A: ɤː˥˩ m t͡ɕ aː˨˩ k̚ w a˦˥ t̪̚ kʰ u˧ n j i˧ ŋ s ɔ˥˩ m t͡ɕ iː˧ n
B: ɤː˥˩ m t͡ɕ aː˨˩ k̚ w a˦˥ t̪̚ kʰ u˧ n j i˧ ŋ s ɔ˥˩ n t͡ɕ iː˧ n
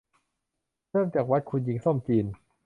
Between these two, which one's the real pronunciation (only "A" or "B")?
A